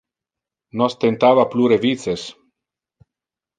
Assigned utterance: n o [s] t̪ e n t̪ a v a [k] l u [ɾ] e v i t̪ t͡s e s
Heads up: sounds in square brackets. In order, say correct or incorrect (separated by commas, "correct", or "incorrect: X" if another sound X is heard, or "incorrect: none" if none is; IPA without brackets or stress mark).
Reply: correct, incorrect: p, correct